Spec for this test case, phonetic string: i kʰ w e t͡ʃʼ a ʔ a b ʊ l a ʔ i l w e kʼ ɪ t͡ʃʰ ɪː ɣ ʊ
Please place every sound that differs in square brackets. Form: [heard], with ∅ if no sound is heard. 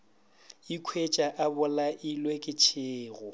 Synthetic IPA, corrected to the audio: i kʰ w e t͡ʃʼ a ʔ a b ʊ l a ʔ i l w e kʼ ɪ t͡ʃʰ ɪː ɣ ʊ